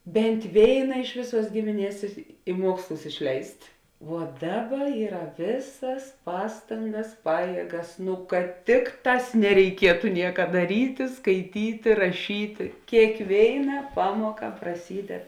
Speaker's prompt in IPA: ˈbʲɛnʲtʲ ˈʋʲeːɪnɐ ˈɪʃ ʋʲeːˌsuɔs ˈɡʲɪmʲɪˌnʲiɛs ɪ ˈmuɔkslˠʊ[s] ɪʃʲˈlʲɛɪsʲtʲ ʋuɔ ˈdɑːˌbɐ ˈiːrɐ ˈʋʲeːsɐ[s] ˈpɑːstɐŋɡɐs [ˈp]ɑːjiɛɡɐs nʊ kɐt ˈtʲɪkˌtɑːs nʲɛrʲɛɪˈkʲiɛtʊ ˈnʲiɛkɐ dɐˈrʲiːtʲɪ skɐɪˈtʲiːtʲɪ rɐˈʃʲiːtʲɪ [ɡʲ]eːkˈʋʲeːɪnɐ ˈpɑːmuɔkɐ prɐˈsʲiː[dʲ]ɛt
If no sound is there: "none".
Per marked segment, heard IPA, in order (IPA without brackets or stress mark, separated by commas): s, s, p, kʲ, dʲ